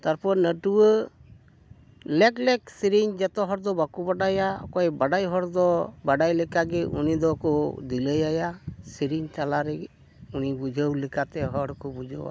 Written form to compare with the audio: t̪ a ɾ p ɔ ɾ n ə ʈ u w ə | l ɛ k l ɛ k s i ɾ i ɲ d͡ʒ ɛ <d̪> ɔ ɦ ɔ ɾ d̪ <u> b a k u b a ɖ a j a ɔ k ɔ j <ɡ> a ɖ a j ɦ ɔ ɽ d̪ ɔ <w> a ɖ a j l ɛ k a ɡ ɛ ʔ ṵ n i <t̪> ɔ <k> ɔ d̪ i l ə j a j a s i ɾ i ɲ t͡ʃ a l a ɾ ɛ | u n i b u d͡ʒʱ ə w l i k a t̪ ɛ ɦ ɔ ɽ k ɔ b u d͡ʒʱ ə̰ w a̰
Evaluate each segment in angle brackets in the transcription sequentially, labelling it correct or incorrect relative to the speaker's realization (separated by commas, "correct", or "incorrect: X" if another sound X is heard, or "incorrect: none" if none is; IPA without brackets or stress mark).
incorrect: t̪, incorrect: ɔ, incorrect: b, incorrect: b, incorrect: d̪, correct